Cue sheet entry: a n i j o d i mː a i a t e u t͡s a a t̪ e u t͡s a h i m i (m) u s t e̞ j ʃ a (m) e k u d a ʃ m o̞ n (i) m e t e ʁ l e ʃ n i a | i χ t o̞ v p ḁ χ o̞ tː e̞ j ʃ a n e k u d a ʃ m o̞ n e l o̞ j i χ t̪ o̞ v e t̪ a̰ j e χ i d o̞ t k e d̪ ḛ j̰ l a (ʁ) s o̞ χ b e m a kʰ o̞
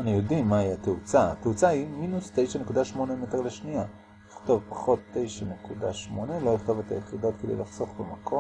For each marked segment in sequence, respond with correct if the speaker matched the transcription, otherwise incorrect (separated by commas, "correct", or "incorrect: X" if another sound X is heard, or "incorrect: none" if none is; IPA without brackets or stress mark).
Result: incorrect: n, incorrect: n, incorrect: e, incorrect: χ